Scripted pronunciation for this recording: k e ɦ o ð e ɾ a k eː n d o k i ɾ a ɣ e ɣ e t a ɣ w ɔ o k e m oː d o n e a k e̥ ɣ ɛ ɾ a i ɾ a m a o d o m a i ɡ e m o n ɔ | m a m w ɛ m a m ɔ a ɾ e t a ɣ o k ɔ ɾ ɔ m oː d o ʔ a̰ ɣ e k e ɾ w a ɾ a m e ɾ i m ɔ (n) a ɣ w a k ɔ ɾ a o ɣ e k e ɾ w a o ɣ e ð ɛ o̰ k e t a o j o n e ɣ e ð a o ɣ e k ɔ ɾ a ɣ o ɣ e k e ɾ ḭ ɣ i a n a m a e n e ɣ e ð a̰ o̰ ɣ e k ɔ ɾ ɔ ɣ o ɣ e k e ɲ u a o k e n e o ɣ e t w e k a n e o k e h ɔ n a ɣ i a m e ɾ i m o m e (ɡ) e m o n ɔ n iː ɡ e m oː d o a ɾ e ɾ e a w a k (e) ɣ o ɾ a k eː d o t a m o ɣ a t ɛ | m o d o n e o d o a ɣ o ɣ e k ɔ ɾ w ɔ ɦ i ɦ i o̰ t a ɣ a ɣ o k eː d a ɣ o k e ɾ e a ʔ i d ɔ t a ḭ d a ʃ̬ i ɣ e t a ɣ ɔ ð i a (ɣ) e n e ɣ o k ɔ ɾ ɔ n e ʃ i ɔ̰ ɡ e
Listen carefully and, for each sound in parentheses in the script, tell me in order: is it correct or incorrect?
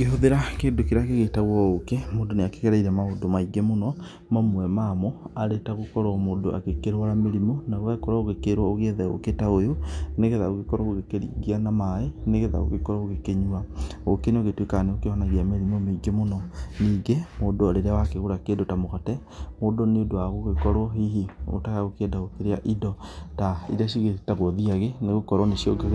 correct, correct, correct, correct

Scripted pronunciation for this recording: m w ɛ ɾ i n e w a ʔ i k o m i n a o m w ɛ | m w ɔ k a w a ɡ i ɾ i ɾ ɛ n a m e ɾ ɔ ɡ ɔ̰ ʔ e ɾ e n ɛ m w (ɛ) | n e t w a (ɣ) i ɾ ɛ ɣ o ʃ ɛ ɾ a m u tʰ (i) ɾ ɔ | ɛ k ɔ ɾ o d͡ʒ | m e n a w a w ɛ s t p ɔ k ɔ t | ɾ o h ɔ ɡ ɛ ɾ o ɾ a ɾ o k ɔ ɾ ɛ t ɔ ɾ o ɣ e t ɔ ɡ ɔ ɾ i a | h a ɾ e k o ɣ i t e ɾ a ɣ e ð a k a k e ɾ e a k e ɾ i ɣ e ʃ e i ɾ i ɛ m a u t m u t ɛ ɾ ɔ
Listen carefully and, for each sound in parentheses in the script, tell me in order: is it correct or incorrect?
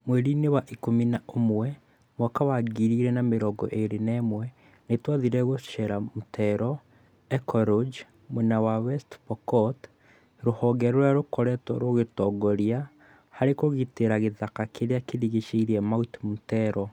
correct, incorrect, incorrect

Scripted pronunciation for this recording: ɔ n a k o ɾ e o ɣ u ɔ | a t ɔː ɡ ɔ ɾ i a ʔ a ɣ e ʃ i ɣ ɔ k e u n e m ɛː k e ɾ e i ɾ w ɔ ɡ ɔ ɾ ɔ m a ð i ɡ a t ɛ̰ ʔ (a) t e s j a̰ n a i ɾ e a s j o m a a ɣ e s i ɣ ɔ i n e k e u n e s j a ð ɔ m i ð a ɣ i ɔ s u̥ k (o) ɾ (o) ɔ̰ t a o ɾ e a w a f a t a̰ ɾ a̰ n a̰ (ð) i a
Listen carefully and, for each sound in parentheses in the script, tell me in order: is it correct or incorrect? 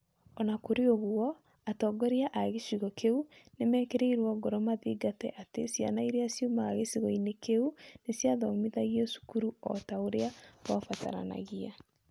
correct, incorrect, incorrect, incorrect

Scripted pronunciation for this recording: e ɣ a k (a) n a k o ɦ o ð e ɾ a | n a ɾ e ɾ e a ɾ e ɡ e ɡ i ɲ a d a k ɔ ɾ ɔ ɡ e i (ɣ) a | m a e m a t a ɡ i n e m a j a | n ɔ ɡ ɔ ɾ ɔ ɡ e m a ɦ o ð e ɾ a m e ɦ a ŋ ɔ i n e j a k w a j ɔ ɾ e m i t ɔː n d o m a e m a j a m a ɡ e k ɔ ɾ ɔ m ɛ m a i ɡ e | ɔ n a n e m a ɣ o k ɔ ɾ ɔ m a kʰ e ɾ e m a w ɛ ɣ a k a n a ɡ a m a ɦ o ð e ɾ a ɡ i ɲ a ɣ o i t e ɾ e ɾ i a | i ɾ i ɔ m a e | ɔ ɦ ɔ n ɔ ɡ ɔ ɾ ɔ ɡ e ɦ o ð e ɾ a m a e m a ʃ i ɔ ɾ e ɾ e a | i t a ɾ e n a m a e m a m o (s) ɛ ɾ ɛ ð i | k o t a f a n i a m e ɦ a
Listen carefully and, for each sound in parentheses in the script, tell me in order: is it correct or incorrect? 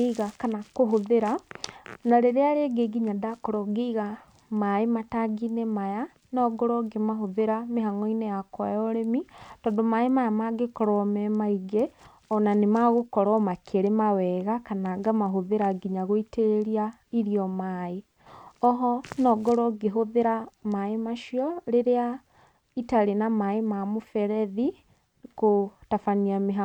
correct, correct, incorrect

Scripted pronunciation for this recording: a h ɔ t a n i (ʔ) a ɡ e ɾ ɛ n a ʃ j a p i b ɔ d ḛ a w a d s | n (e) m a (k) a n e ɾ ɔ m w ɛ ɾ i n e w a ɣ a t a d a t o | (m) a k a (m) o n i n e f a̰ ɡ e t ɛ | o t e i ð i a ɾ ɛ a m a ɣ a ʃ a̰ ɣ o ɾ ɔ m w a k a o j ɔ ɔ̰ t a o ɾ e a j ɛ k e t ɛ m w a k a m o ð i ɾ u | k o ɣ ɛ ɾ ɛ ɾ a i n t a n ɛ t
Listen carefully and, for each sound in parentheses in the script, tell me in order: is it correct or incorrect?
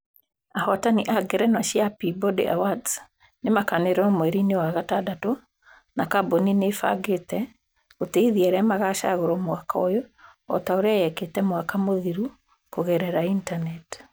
correct, correct, correct, incorrect, incorrect

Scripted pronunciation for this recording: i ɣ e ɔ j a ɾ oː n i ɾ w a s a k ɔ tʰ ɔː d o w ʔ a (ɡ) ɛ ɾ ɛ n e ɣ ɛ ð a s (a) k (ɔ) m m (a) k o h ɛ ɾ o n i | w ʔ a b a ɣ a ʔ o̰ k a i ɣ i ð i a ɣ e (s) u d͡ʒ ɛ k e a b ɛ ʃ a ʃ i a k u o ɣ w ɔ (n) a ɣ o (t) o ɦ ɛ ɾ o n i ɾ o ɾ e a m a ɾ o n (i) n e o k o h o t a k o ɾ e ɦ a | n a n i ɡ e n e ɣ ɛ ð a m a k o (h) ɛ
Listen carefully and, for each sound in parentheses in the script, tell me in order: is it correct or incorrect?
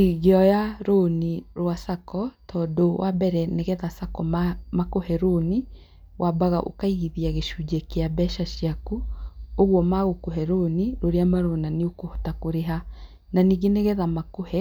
incorrect, correct, correct, correct, incorrect, incorrect, incorrect, incorrect, correct

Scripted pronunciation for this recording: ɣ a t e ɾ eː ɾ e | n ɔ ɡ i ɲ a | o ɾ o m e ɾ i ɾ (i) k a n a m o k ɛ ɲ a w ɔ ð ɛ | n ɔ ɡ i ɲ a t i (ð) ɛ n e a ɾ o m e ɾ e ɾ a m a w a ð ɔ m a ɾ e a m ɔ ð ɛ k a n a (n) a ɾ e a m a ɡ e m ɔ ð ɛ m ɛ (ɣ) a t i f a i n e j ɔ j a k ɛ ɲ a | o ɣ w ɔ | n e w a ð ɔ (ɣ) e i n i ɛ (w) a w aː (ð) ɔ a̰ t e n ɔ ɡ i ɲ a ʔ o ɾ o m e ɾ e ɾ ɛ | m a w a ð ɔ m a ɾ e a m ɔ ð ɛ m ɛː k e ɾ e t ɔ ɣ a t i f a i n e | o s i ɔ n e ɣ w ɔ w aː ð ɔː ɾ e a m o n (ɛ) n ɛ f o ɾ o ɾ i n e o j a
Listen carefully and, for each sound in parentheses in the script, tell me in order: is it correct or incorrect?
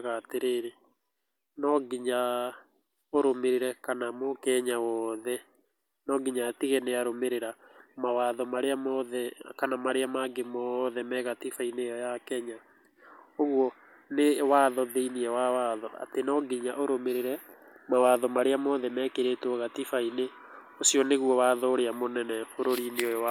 incorrect, incorrect, incorrect, correct, incorrect, correct, correct, correct

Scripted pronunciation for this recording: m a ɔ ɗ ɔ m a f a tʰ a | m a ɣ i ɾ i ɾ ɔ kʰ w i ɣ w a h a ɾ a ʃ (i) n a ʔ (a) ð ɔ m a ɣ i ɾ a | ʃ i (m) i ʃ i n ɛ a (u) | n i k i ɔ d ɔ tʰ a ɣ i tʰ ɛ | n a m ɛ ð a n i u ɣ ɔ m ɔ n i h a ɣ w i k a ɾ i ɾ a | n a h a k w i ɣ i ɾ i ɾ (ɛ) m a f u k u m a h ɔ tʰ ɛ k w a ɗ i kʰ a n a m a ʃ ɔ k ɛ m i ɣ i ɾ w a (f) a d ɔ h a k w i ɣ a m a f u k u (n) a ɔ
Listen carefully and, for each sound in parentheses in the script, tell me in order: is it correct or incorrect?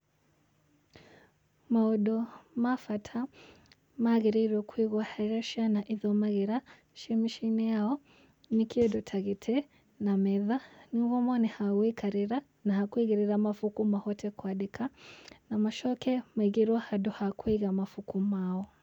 incorrect, incorrect, correct, incorrect, incorrect, incorrect, incorrect

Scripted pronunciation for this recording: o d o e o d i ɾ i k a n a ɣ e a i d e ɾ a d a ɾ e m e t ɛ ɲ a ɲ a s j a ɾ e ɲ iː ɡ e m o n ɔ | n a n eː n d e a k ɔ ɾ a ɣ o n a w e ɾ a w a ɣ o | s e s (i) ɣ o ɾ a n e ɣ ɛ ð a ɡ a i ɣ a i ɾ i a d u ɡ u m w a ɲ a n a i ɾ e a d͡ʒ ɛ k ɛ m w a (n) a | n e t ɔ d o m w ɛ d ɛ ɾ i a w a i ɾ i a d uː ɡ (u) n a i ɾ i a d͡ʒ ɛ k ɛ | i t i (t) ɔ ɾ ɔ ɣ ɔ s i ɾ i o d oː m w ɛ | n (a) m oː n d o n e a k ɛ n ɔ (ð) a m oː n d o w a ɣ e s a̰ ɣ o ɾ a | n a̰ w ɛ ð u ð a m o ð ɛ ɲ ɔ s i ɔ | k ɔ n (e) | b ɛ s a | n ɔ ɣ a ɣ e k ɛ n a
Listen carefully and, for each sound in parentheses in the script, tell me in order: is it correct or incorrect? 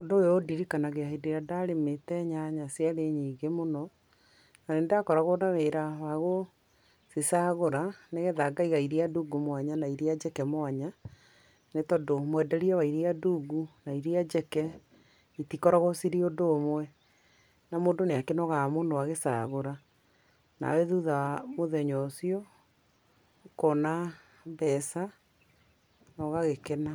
incorrect, incorrect, correct, incorrect, correct, incorrect, incorrect

